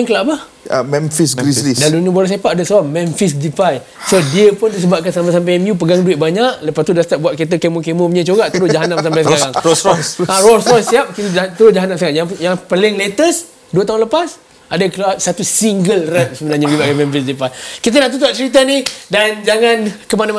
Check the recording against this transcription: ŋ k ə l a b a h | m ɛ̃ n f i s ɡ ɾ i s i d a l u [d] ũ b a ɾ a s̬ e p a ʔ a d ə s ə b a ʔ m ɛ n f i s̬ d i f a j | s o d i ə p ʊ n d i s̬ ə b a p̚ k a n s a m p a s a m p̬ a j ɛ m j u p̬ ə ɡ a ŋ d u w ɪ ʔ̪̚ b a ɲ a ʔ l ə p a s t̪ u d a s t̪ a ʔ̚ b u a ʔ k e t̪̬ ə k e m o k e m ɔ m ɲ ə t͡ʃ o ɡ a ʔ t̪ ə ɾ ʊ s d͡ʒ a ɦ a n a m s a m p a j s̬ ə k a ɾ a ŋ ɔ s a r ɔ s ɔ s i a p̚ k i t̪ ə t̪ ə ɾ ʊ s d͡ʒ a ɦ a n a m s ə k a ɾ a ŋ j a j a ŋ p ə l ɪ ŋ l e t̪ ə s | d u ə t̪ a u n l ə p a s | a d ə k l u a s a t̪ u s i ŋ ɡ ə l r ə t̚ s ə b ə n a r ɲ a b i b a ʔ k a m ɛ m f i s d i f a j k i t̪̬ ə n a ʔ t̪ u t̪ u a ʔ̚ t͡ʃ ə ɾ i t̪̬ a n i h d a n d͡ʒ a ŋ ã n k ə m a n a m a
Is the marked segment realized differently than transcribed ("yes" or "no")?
yes